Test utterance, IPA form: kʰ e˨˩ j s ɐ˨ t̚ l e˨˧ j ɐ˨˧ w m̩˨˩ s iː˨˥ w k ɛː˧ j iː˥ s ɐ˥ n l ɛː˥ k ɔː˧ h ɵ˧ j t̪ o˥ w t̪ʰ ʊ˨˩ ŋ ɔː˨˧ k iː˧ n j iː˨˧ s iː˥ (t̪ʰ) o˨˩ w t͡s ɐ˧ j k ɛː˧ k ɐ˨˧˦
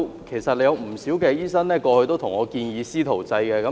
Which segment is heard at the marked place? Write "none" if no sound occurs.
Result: t̪ʰ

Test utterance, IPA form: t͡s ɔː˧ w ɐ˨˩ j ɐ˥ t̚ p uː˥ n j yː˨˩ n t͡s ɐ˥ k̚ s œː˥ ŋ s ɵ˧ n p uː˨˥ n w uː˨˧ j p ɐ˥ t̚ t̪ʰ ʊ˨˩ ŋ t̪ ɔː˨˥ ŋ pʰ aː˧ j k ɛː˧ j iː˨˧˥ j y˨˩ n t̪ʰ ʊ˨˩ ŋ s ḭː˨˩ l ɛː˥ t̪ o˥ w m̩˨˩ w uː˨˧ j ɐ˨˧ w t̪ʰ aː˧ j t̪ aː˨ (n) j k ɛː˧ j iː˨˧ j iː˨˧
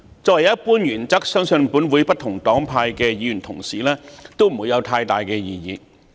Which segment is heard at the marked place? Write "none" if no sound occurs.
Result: none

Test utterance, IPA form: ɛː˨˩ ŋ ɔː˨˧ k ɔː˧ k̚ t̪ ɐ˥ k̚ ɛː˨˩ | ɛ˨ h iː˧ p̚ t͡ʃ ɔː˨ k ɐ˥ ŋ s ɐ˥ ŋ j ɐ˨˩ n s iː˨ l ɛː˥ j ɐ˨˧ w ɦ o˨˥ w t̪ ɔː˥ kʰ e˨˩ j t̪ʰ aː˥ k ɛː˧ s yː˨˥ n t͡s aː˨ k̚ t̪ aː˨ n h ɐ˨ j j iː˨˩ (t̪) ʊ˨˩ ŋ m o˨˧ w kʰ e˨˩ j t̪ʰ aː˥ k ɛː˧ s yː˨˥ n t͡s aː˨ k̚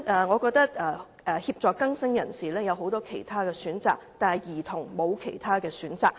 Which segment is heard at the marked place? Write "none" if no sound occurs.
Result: t̪ʰ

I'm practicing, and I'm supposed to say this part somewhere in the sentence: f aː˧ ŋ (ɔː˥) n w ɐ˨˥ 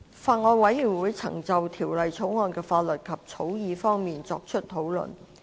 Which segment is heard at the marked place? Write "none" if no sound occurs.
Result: ɔː˧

